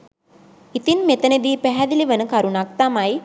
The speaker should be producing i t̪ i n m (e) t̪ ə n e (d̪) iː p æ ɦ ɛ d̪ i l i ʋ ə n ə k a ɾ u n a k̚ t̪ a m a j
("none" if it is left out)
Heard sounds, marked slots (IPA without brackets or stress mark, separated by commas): e, d̪